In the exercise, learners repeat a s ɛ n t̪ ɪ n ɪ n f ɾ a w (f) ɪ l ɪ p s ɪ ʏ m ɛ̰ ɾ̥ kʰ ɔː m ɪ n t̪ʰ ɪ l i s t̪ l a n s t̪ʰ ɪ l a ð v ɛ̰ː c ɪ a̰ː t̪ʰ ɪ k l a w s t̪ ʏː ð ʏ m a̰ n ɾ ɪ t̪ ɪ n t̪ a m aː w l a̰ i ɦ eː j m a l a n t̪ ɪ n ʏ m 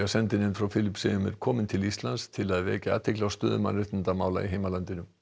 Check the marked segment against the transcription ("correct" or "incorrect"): correct